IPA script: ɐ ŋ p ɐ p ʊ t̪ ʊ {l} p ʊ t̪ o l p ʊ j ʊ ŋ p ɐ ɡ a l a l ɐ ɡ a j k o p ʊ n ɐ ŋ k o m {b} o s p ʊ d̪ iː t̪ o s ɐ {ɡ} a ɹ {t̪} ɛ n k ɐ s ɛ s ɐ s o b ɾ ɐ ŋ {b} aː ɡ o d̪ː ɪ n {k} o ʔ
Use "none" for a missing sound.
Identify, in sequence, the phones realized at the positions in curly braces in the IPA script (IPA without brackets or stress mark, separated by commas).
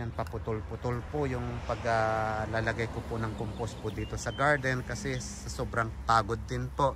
l, p, ɡ, d̪, p, p